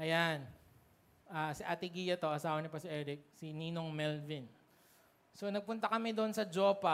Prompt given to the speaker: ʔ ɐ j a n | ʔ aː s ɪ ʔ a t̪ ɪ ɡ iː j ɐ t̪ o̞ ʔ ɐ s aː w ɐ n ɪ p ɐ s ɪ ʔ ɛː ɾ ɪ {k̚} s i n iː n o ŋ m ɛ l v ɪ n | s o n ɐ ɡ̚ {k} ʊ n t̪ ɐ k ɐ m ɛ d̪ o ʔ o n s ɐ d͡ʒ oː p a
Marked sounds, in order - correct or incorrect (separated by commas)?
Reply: correct, incorrect